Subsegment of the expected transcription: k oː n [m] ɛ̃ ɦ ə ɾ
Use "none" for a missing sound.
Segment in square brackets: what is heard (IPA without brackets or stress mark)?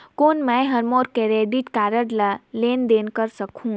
m